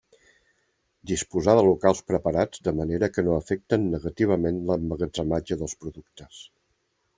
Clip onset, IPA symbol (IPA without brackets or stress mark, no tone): d̪